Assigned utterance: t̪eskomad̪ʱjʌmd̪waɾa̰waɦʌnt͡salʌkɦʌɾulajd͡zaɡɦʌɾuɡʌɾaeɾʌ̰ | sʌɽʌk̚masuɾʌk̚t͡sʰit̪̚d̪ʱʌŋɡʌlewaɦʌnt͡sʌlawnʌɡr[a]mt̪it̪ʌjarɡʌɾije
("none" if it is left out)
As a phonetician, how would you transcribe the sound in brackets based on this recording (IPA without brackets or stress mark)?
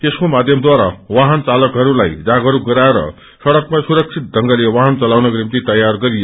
i